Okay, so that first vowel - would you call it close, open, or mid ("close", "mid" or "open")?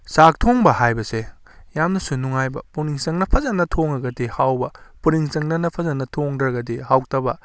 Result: open